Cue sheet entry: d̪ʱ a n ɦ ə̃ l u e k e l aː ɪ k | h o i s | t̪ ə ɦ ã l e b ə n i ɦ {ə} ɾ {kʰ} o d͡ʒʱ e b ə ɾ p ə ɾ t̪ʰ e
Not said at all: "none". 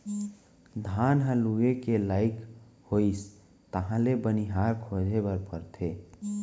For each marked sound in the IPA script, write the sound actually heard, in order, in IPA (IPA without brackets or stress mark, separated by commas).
a, kʰ